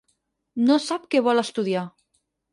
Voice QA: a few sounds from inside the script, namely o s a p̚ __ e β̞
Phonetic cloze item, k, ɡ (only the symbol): k